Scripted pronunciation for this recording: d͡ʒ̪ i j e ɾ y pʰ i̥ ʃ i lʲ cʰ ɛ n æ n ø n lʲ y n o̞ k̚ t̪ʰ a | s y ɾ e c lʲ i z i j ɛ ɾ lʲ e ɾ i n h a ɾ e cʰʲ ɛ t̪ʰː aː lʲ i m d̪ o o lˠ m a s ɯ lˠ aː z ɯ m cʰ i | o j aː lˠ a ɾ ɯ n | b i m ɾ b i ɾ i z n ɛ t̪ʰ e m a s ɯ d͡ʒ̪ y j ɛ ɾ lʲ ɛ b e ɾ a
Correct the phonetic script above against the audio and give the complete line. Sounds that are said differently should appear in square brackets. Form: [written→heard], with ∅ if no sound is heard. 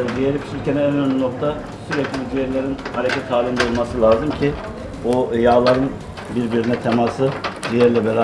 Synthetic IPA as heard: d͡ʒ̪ i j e ɾ [y→i] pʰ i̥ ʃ i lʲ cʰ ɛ n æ n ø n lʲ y n o̞ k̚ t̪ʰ a | s y ɾ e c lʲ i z i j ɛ ɾ lʲ e ɾ i n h a ɾ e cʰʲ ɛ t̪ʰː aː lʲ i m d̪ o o lˠ m a s ɯ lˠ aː z ɯ m cʰ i | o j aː lˠ a ɾ ɯ n | b i [m→∅] ɾ b i ɾ i [z→∅] n ɛ t̪ʰ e m a s ɯ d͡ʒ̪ [y→i] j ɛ ɾ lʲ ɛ b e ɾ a